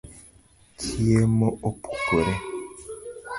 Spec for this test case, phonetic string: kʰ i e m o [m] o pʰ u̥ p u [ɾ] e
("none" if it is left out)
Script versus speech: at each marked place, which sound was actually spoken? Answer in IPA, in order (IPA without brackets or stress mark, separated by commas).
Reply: none, ɾ